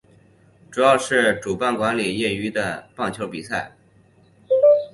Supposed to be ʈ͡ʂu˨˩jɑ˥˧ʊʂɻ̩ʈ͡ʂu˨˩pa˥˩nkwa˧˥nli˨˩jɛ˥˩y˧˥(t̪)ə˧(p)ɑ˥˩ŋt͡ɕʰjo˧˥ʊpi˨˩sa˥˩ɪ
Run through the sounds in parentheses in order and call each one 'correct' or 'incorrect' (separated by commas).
incorrect, correct